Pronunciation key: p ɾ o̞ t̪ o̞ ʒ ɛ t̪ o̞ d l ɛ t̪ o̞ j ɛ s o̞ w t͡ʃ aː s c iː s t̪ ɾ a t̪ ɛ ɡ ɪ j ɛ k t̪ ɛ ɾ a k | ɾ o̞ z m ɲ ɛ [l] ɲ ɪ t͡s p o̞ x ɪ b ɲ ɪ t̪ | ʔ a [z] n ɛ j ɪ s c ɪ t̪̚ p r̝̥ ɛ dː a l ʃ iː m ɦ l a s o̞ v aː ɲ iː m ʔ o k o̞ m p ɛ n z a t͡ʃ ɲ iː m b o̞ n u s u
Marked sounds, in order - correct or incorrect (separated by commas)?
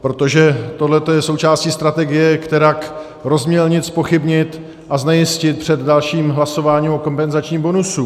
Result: correct, correct